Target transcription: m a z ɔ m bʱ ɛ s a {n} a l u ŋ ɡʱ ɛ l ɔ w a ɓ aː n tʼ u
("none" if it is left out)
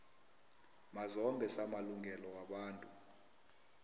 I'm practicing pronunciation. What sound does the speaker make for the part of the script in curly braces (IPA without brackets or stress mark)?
m